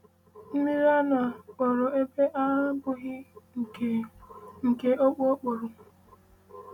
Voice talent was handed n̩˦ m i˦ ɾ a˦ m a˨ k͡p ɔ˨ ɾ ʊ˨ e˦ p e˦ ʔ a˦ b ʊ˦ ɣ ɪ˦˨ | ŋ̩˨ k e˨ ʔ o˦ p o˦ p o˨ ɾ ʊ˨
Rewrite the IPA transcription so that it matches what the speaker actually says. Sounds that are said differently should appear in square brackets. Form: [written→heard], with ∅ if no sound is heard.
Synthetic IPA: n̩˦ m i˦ ɾ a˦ [m→n] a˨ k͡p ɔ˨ ɾ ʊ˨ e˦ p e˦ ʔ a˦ b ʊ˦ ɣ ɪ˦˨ | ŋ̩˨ k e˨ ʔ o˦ [p→k͡p] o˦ [p→k͡p] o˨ ɾ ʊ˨